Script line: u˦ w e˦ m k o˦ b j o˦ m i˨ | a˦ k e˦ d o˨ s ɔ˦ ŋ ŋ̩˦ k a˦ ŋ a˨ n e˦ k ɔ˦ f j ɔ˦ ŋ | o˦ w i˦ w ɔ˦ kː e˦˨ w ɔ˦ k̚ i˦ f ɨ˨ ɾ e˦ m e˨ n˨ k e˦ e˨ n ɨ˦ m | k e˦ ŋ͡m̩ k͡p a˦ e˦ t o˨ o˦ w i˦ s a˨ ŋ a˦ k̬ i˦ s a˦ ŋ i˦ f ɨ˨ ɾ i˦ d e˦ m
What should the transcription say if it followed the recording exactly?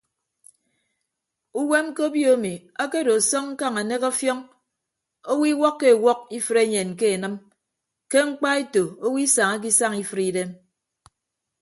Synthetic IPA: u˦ w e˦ m k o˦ b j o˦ m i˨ | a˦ k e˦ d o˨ s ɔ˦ ŋ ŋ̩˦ k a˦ ŋ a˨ n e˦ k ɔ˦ f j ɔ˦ ŋ | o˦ w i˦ w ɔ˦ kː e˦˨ w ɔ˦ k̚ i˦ f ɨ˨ ɾ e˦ ɲ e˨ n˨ k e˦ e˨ n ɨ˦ m | k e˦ ŋ͡m̩ k͡p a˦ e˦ t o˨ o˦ w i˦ s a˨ ŋ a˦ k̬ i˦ s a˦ ŋ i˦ f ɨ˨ ɾ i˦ d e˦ m